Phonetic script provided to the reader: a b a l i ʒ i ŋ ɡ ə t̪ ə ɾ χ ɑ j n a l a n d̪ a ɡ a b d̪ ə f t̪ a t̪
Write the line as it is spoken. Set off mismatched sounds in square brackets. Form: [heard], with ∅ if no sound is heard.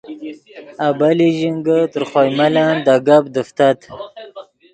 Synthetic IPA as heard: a b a l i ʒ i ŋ ɡ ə t̪ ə ɾ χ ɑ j [m] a l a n d̪ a ɡ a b d̪ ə f t̪ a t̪